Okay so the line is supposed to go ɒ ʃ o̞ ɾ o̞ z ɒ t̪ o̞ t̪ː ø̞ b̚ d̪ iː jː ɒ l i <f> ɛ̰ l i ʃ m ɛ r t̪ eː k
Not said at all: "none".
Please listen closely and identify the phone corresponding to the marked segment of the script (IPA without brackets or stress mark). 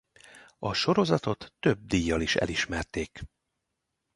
ʃ